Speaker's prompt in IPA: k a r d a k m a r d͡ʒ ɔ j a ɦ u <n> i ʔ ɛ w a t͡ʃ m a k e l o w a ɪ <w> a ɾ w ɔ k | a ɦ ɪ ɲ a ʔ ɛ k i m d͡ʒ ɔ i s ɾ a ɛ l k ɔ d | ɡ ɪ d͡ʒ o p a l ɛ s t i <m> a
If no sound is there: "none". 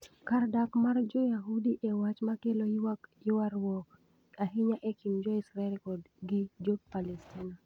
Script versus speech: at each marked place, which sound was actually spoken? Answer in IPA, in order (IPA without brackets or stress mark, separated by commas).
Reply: d, w, n